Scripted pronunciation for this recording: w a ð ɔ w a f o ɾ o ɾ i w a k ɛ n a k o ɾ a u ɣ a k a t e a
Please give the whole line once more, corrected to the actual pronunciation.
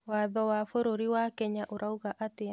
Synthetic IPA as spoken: w a ð ɔ w a f o ɾ o ɾ i w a k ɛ ɲ a ʔ o ɾ a u ɣ a ʔ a t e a